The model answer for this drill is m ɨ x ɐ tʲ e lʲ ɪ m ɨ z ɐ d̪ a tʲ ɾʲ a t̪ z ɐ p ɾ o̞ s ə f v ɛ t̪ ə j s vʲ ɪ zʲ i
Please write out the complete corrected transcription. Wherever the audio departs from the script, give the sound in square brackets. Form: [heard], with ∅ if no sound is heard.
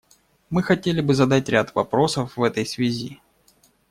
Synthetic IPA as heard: m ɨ x ɐ tʲ e lʲ ɪ [b] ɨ z ɐ d̪ a tʲ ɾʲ a t̪ [v] ɐ p ɾ o̞ s ə f v ɛ t̪ ə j s vʲ ɪ zʲ i